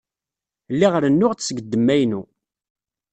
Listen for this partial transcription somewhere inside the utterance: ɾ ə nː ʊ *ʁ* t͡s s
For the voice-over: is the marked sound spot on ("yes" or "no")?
yes